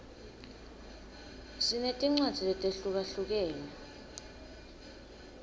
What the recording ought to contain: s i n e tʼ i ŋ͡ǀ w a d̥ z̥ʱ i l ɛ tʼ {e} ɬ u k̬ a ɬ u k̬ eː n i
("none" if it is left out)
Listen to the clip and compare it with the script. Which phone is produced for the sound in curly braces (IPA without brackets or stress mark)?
e